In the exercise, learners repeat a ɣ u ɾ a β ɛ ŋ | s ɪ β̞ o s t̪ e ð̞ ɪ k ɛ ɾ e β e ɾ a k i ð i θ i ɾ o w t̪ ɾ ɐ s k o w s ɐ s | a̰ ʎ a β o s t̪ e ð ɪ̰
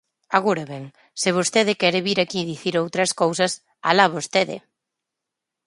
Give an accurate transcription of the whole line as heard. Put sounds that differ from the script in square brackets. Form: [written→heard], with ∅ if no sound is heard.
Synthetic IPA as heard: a ɣ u ɾ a β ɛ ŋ | s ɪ β̞ o s t̪ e ð̞ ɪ k ɛ ɾ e β [e→i] ɾ a k i ð i θ i ɾ o w t̪ ɾ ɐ s k o w s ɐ s | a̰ [ʎ→l] a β o s t̪ e ð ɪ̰